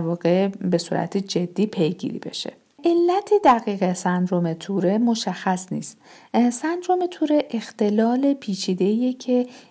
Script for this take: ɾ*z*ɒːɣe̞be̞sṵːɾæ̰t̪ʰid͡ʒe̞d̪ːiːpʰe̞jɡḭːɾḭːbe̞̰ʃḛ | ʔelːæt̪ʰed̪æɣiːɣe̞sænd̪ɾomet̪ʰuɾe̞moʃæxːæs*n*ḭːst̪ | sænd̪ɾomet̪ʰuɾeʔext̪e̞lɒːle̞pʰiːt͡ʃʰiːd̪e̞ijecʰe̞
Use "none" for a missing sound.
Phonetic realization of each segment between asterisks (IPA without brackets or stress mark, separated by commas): v, n